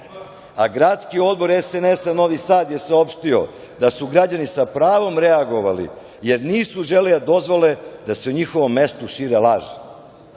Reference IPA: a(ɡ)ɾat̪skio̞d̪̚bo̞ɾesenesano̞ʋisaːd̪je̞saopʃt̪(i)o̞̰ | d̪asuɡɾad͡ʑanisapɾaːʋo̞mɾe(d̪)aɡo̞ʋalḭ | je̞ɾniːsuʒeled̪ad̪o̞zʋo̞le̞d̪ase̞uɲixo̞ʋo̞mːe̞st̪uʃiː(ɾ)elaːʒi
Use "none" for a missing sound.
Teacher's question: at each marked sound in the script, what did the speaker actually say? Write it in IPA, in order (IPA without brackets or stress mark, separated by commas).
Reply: ɡ, i, none, ɾ